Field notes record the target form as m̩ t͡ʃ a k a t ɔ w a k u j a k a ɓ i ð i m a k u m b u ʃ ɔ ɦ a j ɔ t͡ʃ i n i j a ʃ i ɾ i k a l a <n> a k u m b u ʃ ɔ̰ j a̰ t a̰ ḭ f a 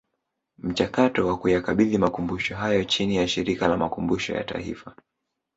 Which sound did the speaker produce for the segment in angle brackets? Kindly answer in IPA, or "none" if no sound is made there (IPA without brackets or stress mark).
m